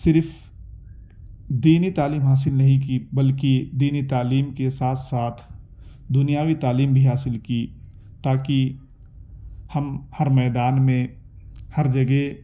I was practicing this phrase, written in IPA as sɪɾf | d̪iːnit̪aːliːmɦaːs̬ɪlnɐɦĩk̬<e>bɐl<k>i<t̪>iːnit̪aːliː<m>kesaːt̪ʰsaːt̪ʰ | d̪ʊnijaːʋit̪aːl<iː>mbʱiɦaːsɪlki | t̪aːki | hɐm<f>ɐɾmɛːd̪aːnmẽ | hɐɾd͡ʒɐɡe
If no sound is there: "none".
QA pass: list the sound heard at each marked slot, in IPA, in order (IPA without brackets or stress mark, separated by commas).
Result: i, k, d̪, m, iː, h